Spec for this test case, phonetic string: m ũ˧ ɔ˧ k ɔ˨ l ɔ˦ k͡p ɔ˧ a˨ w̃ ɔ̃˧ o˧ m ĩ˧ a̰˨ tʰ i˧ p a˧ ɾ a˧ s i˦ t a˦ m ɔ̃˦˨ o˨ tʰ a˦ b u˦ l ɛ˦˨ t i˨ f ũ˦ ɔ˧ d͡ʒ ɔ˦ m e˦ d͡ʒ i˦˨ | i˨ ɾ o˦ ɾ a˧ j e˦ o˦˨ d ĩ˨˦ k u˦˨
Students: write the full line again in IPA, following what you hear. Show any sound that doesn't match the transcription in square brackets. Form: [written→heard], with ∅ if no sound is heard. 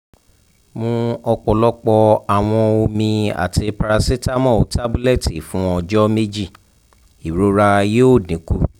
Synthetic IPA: m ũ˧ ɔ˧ [k→k͡p] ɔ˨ l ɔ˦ k͡p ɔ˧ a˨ w̃ ɔ̃˧ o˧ m ĩ˧ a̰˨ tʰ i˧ p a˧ ɾ a˧ s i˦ t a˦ m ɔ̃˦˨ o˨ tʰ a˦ b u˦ l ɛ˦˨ t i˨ f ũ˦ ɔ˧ d͡ʒ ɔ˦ m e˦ d͡ʒ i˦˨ | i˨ ɾ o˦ ɾ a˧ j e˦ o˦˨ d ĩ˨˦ k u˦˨